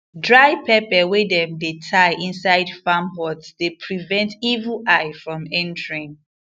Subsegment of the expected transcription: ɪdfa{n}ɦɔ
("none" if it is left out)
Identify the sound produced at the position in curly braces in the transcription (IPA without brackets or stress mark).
m